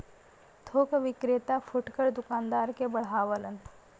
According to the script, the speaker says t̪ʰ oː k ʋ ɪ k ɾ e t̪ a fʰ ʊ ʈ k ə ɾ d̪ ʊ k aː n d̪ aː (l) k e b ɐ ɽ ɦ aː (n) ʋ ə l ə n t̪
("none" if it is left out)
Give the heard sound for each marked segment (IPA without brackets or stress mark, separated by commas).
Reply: ɾ, none